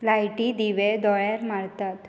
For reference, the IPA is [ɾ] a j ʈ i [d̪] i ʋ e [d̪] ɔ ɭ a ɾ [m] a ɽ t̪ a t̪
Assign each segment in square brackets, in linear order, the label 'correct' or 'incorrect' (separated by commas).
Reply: incorrect, correct, correct, correct